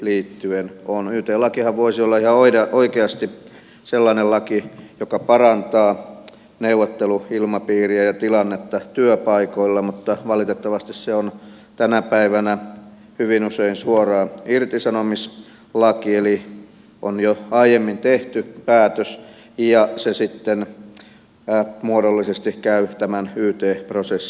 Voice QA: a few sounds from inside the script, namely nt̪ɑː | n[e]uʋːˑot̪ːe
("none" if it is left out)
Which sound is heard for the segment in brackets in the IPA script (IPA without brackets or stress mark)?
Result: e